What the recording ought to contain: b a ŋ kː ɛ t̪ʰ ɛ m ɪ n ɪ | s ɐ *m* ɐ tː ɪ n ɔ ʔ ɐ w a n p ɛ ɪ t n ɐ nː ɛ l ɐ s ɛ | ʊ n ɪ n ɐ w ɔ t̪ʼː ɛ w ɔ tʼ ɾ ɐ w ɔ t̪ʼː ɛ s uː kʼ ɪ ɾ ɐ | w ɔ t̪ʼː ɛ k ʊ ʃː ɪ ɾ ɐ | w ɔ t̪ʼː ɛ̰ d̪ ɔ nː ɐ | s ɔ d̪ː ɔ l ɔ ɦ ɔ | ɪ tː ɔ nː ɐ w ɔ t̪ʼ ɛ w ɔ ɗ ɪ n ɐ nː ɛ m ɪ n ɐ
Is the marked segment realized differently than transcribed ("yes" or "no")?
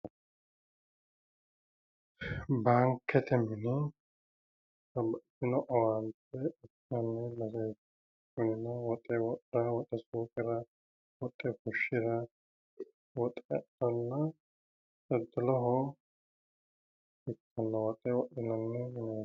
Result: yes